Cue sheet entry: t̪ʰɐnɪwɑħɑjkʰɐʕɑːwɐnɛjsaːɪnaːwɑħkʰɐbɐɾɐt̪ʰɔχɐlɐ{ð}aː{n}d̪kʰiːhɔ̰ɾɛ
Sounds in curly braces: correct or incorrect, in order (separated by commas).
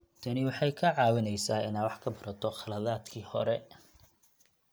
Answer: correct, incorrect